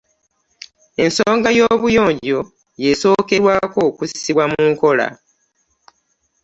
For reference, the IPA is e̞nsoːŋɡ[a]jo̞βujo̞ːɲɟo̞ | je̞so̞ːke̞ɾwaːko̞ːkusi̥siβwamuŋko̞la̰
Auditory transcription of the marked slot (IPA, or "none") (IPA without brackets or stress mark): a